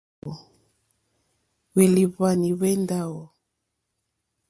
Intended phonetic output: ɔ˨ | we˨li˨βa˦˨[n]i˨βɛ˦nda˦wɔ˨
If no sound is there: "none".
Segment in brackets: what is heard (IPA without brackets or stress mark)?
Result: n